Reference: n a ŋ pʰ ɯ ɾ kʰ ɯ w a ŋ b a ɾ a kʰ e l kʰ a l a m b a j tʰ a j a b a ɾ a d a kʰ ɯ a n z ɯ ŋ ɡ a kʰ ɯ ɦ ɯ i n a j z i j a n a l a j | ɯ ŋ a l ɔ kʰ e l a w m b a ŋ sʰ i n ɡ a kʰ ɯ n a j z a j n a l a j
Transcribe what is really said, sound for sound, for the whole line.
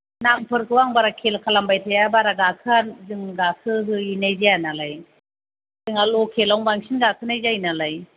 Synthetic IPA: n a ŋ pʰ ɯ ɾ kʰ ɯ w a ŋ b a ɾ a kʰ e l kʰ a l a m b a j tʰ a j a b a ɾ a ɡ a kʰ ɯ a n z ɯ ŋ ɡ a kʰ ɯ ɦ ɯ i n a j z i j a n a l a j | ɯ ŋ a l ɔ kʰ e l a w ŋ b a ŋ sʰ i n ɡ a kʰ ɯ n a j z a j n a l a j